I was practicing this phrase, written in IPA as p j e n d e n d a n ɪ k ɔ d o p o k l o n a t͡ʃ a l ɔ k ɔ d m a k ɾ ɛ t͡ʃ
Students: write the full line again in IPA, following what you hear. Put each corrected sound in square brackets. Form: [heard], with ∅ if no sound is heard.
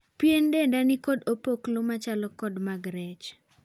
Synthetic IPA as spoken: p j e n d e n d a n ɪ k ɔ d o p o k l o [m] a t͡ʃ a l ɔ k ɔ d m a [ɡ] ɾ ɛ t͡ʃ